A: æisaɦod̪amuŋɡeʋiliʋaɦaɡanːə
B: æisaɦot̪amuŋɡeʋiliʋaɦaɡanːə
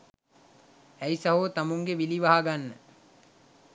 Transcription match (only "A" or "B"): B